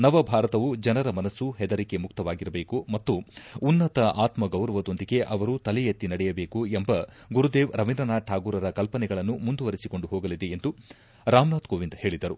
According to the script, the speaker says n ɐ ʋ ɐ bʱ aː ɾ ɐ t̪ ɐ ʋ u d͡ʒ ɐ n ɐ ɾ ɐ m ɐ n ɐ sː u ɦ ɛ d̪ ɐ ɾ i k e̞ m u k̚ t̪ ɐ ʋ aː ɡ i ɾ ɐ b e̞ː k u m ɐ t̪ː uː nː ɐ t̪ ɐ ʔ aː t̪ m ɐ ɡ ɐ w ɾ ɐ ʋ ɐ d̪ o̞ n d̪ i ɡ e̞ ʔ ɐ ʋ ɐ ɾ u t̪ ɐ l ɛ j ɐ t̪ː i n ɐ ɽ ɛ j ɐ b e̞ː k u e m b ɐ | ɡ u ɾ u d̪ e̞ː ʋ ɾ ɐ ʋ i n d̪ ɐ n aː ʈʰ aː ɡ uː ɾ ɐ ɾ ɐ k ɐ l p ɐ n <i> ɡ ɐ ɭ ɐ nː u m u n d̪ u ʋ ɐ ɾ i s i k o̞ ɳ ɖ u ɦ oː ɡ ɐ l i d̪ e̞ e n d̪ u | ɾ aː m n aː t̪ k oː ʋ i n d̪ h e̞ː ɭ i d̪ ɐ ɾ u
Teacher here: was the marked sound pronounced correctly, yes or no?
no